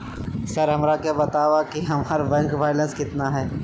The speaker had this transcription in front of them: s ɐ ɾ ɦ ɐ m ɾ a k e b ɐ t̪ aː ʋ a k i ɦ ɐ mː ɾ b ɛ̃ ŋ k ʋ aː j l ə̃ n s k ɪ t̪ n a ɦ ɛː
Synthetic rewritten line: s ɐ ɾ ɦ ɐ m ɾ a k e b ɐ t̪ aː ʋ a k i ɦ ɐ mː ɾ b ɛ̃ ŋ k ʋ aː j l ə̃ n s k ɪ t̪ n a ɦ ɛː